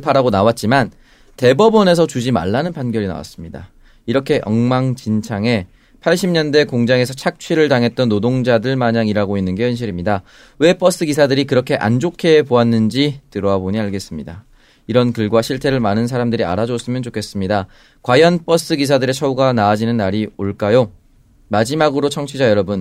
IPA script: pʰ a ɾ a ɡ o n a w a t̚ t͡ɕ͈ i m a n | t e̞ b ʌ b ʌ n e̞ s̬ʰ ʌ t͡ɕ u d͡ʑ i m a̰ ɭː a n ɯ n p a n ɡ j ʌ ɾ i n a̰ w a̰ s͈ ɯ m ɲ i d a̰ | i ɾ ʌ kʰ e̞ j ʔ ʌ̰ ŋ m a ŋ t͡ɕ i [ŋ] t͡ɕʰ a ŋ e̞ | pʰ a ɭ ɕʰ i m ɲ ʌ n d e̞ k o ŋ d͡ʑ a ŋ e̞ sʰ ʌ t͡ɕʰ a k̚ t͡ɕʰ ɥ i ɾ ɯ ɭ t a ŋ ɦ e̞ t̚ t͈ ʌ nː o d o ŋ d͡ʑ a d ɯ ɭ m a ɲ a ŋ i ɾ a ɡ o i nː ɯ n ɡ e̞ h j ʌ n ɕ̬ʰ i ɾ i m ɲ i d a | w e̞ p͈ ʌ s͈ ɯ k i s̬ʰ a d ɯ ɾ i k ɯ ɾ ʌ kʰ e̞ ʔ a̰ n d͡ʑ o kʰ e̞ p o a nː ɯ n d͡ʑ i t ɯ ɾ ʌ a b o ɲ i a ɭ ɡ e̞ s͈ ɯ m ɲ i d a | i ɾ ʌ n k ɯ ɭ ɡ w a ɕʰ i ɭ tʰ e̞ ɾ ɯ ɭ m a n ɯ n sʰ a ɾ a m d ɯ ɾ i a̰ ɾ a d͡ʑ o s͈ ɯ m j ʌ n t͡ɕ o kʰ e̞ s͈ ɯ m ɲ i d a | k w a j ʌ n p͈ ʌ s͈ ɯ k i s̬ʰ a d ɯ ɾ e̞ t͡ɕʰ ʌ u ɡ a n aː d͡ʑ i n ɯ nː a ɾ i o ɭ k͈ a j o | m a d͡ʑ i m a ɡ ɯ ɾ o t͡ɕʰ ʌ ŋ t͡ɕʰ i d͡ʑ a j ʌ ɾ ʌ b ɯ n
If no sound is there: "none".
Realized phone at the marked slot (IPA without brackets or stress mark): n